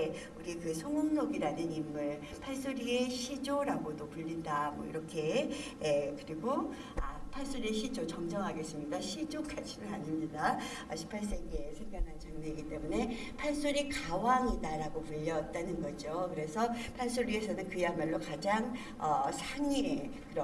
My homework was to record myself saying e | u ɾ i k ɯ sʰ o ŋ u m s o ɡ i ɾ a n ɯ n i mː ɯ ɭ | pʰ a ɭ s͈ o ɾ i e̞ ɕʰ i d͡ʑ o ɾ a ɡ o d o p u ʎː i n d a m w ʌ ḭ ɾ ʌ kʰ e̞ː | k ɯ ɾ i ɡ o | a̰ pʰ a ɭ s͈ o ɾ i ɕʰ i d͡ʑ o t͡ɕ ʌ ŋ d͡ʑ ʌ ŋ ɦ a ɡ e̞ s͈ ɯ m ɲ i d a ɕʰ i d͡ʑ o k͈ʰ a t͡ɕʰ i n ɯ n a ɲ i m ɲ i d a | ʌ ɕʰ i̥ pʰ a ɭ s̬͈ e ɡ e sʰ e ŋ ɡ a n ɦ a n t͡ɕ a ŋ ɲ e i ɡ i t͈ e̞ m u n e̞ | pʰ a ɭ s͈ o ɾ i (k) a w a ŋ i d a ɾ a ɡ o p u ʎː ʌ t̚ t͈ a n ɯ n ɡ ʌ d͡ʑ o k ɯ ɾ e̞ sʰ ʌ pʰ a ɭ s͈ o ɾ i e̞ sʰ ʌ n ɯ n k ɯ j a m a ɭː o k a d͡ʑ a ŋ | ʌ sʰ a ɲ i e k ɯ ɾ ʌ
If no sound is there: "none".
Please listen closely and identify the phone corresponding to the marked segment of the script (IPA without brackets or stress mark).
k